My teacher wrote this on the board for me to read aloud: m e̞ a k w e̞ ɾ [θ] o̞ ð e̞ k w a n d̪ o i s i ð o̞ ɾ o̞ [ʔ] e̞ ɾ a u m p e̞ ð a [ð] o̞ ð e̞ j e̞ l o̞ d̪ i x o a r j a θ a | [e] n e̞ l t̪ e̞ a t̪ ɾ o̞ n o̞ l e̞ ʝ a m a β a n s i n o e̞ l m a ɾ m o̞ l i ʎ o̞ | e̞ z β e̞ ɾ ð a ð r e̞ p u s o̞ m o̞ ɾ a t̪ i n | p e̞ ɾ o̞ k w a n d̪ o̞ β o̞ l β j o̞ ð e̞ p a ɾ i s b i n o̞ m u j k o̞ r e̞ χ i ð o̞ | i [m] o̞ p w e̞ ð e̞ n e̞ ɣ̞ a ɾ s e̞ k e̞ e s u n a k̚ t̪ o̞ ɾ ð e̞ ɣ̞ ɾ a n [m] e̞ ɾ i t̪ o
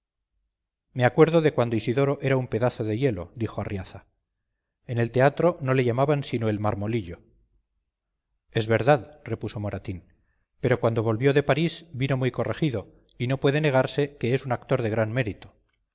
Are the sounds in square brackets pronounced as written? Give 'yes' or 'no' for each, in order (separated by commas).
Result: no, yes, no, yes, no, yes